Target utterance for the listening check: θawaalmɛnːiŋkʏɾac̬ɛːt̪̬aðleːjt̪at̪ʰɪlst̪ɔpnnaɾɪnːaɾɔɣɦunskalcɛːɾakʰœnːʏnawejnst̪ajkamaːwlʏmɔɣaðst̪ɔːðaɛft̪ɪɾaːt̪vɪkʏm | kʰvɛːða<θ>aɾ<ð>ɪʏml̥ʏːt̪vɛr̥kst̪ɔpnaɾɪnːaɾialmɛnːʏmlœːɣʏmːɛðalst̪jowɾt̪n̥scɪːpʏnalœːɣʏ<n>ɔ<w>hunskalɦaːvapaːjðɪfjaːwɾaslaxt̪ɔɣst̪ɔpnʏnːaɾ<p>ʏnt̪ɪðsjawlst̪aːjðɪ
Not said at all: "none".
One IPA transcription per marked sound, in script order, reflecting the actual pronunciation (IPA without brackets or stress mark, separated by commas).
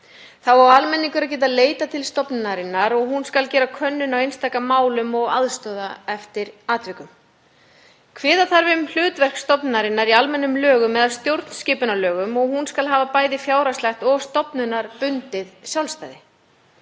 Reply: θ, v, m, ɣ, p